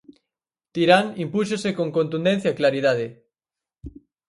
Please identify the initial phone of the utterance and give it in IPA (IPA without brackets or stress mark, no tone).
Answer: t̪